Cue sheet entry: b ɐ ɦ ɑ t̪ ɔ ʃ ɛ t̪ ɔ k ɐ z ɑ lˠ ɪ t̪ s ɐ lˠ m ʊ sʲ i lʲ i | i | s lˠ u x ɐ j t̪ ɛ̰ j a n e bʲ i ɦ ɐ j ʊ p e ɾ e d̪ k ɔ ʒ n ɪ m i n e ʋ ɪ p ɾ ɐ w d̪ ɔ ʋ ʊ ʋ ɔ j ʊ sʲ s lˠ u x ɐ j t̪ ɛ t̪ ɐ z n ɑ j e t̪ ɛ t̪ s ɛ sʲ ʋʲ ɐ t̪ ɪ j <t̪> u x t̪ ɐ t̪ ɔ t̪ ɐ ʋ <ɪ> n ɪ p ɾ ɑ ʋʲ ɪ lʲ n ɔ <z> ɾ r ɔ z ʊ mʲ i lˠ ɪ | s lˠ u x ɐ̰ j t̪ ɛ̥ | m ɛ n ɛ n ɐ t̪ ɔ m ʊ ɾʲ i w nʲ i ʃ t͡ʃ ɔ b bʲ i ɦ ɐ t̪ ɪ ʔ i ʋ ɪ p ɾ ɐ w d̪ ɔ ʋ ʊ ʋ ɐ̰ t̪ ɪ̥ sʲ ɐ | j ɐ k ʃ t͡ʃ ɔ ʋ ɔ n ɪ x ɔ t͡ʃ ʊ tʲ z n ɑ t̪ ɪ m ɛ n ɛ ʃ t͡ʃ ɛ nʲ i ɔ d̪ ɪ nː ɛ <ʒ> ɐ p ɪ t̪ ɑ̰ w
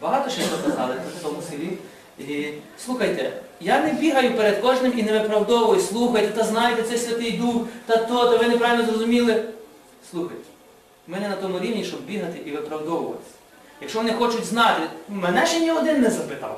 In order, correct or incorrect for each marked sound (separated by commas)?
incorrect, correct, correct, incorrect